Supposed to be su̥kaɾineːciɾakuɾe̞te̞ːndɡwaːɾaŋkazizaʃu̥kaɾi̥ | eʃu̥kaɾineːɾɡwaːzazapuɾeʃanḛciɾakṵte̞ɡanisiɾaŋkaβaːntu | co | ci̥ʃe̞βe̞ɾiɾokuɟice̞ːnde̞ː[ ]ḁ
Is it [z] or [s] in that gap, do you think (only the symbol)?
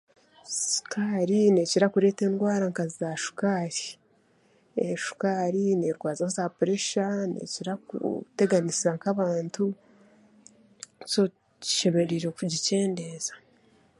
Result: z